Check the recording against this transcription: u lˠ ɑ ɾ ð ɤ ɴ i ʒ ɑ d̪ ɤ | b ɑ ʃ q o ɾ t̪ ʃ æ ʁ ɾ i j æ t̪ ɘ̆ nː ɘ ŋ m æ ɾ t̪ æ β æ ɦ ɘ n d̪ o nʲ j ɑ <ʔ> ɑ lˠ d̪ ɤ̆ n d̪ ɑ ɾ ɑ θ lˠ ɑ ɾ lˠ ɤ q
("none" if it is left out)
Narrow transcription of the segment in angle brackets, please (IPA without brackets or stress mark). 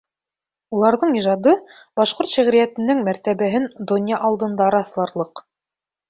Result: ʔ